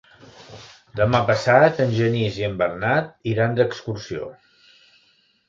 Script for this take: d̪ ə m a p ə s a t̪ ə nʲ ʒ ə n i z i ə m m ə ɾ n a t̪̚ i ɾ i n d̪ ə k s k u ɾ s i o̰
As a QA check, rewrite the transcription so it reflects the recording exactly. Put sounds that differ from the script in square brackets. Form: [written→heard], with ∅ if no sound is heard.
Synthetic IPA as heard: d̪ ə m a p ə s a t̪ ə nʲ ʒ ə n i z i ə m [m→b] ə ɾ n a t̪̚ i ɾ [i→a] n d̪ ə k s k u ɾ s i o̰